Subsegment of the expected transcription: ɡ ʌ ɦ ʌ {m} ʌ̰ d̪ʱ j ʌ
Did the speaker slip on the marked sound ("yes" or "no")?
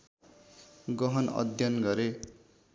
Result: yes